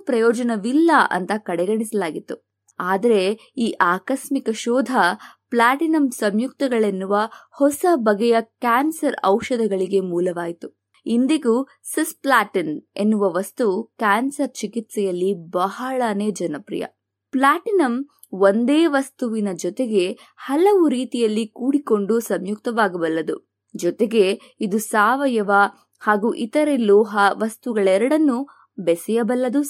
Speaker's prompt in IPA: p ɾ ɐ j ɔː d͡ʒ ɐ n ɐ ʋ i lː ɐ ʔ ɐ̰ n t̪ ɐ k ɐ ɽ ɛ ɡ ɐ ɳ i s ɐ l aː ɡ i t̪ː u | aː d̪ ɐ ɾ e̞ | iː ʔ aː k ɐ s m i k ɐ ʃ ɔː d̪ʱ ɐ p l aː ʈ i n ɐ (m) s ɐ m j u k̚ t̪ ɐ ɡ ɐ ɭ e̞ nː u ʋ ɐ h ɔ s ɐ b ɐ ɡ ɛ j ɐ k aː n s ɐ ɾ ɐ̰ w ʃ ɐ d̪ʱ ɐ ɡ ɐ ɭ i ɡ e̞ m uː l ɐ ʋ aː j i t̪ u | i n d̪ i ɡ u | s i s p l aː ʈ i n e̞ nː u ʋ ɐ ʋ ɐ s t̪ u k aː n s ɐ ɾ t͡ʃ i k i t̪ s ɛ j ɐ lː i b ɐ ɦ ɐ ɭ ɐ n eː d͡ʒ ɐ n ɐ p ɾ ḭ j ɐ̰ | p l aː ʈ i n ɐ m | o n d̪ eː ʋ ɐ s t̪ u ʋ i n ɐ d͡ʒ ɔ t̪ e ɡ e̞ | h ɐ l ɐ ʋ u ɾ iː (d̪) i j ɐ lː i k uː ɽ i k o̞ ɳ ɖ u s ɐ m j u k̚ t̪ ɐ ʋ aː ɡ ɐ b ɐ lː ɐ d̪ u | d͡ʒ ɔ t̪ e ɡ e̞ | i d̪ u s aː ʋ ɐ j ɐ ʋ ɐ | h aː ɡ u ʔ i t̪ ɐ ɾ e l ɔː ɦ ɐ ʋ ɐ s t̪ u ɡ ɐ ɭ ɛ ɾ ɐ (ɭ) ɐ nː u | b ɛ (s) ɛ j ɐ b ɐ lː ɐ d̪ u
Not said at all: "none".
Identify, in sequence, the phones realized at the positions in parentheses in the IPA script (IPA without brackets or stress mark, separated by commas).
m, t̪, ɽ, s